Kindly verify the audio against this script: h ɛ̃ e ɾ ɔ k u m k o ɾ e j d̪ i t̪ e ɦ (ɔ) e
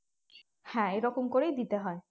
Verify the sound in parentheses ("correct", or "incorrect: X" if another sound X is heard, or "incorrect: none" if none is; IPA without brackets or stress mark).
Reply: correct